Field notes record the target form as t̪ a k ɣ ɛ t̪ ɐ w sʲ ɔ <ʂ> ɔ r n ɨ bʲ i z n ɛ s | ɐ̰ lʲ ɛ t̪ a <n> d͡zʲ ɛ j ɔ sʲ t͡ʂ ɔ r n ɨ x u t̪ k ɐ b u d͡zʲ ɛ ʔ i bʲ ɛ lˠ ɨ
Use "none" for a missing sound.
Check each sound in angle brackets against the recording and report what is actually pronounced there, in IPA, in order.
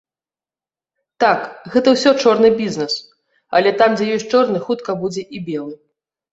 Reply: t͡ʂ, m

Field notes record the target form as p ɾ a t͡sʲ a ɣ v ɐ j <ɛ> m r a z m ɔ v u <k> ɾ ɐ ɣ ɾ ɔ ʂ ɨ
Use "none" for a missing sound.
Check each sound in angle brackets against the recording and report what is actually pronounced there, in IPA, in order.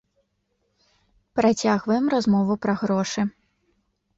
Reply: ɛ, p

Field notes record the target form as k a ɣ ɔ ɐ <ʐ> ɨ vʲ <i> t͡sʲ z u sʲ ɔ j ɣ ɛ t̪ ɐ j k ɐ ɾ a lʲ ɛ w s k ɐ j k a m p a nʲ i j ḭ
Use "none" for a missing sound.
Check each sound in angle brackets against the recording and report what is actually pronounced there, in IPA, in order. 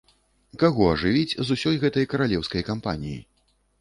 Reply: ʐ, i

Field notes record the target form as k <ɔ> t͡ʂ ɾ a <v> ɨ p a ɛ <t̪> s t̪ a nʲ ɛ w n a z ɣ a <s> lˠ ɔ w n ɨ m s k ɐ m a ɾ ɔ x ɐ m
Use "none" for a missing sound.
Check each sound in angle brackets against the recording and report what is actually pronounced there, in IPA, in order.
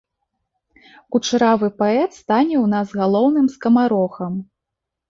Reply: u, v, t̪, none

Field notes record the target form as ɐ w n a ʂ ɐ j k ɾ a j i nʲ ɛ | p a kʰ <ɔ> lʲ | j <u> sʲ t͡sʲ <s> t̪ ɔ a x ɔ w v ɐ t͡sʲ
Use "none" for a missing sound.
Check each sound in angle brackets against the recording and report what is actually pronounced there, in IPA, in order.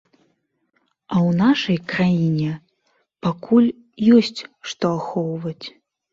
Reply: u, ɔ, ʂ

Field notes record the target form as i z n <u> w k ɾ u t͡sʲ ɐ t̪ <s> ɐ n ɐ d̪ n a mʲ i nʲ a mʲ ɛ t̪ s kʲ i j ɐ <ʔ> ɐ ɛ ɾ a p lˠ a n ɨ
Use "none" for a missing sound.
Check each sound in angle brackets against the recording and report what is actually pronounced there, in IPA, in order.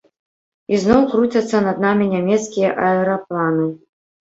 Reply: ɔ, sː, ʔ

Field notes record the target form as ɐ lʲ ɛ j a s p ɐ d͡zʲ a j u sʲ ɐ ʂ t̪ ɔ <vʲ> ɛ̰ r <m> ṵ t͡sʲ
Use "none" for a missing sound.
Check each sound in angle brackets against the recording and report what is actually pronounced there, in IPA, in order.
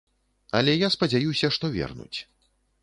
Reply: vʲ, n

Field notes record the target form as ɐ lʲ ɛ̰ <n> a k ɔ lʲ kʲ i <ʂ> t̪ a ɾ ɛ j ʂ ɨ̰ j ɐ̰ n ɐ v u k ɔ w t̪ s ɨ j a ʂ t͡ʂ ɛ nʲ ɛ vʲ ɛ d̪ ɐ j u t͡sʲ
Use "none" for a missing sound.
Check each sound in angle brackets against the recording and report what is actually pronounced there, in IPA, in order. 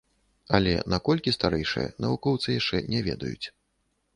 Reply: n, s

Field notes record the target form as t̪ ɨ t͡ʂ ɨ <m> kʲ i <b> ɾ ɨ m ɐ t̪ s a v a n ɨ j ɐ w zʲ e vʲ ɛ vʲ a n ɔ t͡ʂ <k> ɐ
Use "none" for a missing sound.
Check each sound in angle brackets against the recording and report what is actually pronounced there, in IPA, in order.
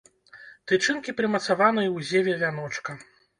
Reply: n, p, k

